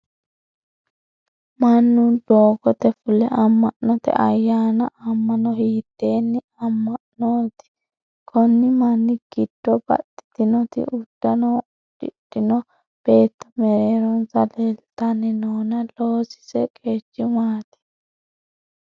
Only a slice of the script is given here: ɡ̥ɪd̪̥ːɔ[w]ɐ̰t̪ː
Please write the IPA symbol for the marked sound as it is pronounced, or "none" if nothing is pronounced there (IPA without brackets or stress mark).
b